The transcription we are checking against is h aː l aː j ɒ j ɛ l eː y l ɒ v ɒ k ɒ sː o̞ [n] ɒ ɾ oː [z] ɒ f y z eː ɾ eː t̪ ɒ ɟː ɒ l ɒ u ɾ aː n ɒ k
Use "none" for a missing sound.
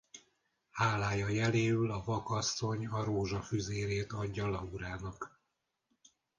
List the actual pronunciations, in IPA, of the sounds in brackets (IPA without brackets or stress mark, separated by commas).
ɲ, ʒ